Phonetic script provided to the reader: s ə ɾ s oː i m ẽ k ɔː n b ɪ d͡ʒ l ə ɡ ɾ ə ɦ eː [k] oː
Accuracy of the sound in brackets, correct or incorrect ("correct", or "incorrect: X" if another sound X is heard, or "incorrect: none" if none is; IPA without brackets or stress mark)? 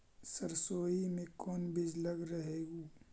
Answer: incorrect: ɡ